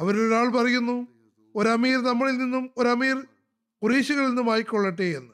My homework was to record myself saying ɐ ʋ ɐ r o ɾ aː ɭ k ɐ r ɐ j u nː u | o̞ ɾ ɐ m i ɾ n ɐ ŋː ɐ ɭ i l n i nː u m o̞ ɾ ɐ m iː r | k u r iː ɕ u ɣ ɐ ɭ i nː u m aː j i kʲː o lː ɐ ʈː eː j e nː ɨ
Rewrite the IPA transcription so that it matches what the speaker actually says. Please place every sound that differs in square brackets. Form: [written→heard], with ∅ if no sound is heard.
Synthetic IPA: ɐ ʋ ɐ [r→ɾ] o ɾ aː ɭ [k→p] ɐ r ɐ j u nː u | o̞ ɾ ɐ m [i→iː] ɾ n ɐ [ŋː→mː] ɐ ɭ i l n i nː u m o̞ ɾ ɐ m iː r | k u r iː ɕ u ɣ ɐ ɭ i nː u m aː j i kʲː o [lː→ɭː] ɐ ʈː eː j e nː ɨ